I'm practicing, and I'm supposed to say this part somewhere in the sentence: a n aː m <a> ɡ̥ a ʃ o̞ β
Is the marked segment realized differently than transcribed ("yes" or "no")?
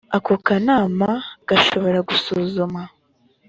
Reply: no